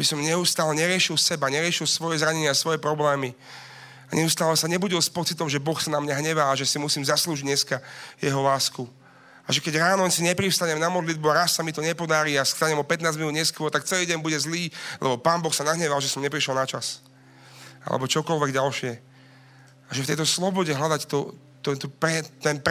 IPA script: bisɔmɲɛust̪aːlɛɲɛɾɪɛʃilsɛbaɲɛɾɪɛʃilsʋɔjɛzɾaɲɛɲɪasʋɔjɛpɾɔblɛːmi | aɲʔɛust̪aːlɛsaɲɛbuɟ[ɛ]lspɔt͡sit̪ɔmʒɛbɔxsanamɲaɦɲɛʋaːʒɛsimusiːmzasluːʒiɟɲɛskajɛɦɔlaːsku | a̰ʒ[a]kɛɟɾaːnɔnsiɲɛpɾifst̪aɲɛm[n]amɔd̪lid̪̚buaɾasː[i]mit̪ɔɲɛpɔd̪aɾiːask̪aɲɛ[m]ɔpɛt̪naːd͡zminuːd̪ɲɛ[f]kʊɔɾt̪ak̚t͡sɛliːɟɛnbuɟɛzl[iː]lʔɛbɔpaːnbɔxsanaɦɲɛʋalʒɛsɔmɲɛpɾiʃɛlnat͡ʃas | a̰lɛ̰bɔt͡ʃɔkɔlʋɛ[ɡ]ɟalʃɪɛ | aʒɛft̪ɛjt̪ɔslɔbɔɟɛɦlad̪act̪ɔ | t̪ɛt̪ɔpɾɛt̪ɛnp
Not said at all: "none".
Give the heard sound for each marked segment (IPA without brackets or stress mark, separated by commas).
i, ɛ, n, a, m, s, iː, ɡ